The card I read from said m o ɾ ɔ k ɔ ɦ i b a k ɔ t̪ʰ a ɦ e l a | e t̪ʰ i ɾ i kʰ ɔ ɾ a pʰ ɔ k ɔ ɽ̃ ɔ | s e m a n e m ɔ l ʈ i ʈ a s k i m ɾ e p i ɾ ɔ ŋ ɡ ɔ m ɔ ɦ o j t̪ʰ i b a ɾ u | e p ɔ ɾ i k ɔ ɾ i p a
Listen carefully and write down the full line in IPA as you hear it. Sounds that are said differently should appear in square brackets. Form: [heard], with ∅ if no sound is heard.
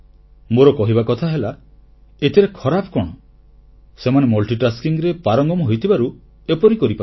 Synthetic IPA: m o ɾ ɔ k ɔ ɦ i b a k ɔ t̪ʰ a ɦ e l a | e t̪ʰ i ɾ [e] kʰ ɔ ɾ a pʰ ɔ k ɔ ɽ̃ ɔ | s e m a n e m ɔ l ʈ i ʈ a s k i [ŋ] ɾ e p [a] ɾ ɔ ŋ ɡ ɔ m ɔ ɦ o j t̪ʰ i b a ɾ u | e p ɔ ɾ i k ɔ ɾ i p a